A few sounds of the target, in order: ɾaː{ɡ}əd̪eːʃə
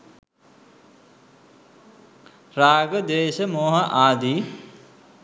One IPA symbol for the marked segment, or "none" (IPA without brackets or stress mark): ɡ